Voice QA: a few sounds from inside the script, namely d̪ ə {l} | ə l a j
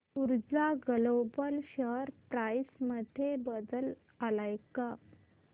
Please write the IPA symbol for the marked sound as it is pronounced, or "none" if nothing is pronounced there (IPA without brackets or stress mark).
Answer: l